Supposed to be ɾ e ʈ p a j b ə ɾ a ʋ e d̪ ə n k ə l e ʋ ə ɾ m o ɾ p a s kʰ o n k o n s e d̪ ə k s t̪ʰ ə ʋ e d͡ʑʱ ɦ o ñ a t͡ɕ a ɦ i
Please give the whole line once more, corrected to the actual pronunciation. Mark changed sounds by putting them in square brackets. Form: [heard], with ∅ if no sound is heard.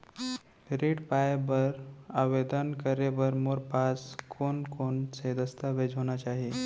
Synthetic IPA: ɾ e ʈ p a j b ə ɾ a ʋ e d̪ ə n k ə [ɾ] e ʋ ə ɾ m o ɾ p a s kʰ o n k o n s e d̪ ə [∅] s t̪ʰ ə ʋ e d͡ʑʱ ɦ o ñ a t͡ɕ a ɦ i